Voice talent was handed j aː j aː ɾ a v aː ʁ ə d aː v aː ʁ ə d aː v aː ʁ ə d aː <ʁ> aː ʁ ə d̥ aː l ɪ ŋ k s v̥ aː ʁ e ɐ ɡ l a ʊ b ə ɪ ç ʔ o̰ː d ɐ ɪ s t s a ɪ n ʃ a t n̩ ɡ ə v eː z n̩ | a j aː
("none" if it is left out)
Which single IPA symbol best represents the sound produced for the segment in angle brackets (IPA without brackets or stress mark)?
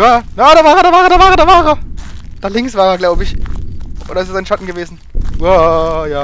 v